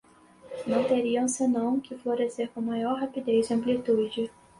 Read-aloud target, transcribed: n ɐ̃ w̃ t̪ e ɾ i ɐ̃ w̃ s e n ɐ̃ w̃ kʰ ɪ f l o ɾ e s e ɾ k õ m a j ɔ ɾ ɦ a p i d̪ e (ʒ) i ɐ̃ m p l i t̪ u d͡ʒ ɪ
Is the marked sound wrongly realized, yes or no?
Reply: yes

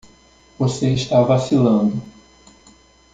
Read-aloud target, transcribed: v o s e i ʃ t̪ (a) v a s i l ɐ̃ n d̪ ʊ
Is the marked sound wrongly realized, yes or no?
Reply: no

